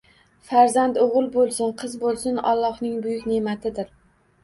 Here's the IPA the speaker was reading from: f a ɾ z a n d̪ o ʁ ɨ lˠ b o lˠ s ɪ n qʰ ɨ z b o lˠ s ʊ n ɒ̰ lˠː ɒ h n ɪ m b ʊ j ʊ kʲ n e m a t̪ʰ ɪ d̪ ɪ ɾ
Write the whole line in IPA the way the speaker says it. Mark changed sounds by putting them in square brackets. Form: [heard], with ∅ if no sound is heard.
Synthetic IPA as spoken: f a ɾ z a n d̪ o ʁ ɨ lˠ b o lˠ s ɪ n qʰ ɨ z b o lˠ s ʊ n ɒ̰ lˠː ɒ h n ɪ [ŋ] b ʊ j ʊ kʲ n e m a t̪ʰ ɪ d̪ ɪ ɾ